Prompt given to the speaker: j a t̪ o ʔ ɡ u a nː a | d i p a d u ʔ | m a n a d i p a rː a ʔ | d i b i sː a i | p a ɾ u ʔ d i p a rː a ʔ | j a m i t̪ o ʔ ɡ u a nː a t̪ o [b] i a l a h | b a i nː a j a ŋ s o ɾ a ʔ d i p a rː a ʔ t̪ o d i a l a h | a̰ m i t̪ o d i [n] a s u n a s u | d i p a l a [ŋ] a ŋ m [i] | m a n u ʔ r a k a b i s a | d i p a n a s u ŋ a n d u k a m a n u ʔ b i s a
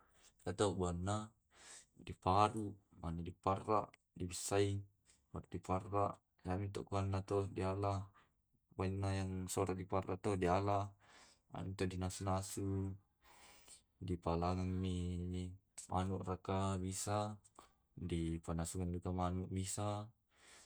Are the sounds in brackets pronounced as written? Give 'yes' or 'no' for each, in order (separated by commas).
no, yes, yes, yes